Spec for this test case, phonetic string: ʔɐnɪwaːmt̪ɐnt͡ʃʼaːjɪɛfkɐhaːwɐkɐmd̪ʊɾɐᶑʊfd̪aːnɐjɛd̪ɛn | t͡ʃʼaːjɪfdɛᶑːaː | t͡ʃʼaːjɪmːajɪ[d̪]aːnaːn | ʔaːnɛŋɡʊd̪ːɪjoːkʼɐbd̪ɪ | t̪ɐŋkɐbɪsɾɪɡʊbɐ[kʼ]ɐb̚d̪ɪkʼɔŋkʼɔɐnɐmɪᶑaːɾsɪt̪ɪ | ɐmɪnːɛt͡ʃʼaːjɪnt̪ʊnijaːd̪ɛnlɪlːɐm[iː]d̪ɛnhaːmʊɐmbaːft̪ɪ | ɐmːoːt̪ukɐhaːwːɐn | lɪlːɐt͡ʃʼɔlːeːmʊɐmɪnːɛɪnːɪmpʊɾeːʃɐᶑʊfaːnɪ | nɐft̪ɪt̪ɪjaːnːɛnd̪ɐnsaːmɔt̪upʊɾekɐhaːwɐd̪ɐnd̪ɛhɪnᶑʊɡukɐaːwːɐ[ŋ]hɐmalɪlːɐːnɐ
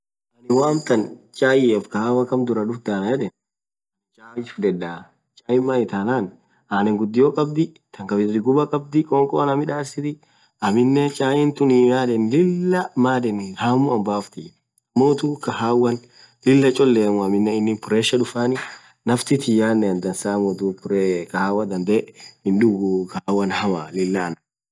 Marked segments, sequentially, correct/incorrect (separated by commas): incorrect, correct, incorrect, incorrect